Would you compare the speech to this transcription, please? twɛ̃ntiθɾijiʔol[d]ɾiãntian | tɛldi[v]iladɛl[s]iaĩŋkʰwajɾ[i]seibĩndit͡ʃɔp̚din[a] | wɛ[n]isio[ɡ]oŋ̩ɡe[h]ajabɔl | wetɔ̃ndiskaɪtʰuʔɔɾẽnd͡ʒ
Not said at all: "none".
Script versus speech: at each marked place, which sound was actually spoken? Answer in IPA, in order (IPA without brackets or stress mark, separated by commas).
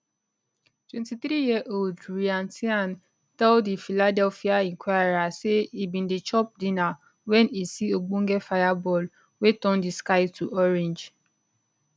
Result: d, f, f, a, a, n, ɡ͡b, f